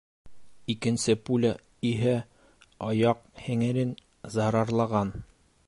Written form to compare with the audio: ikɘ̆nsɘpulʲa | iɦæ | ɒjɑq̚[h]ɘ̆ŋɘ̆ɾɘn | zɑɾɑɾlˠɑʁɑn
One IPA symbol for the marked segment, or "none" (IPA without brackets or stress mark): h